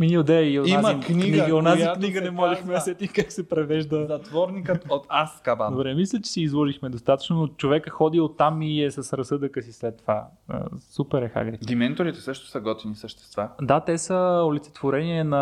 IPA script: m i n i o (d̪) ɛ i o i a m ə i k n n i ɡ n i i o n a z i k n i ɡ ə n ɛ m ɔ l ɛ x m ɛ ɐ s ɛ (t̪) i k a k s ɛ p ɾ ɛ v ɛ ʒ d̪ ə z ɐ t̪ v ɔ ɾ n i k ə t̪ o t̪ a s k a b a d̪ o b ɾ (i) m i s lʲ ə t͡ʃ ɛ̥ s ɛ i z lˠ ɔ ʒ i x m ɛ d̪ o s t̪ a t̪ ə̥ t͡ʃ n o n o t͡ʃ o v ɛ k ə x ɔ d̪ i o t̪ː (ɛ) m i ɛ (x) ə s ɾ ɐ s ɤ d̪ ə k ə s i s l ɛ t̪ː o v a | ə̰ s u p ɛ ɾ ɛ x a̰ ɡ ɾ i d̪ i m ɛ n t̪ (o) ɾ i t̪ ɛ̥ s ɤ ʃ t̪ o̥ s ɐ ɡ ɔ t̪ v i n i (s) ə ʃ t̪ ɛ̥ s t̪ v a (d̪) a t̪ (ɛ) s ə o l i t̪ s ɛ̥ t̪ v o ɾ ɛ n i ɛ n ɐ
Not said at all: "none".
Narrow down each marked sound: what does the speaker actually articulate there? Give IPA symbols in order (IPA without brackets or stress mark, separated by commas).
d̪, t̪, ɛ, a, s, o, s, d̪, ɛ